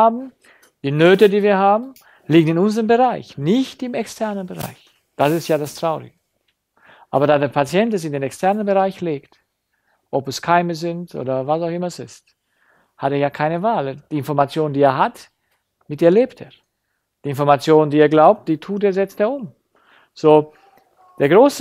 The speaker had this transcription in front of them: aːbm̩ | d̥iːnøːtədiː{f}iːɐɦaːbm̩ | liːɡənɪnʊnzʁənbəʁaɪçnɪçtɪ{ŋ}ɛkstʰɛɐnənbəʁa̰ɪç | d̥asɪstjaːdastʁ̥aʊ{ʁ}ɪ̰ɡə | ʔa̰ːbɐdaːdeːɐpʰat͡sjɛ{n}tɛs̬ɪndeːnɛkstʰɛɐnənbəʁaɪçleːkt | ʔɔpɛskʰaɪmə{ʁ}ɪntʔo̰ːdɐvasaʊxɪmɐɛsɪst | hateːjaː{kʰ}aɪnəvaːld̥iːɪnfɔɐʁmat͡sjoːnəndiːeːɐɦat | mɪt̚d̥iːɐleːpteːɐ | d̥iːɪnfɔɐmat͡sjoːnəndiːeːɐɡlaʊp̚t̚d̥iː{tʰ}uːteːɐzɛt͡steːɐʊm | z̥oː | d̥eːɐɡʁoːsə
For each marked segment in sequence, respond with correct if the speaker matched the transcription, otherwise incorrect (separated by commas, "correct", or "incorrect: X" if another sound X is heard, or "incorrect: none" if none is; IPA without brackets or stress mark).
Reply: incorrect: v, incorrect: m, correct, correct, incorrect: z, correct, correct